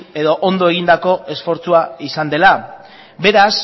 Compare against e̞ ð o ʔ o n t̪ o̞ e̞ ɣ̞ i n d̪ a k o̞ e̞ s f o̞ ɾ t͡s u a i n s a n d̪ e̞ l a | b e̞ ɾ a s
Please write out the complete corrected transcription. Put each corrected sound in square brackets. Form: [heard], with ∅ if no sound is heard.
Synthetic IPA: e̞ ð o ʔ o n [d̪] o̞ e̞ ɣ̞ i n d̪ a k o̞ e̞ s f o̞ ɾ t͡s u a i [∅] s a n d̪ e̞ l a | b e̞ ɾ a s